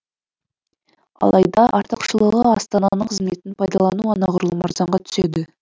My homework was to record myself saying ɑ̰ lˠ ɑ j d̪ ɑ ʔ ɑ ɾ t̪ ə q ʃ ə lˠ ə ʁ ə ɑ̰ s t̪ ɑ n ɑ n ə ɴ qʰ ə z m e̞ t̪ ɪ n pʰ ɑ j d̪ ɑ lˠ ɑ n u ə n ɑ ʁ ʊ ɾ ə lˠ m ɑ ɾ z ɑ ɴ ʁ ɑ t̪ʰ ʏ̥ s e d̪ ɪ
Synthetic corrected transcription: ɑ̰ lˠ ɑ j d̪ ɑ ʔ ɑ ɾ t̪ ə q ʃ ə lˠ ə ʁ ə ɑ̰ s t̪ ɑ n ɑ n ə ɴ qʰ ə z m e̞ t̪ ɪ n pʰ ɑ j d̪ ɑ lˠ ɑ n u ɑ n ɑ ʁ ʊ ɾ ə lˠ m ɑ ɾ z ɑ ɴ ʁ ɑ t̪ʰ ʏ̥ s e d̪ ɪ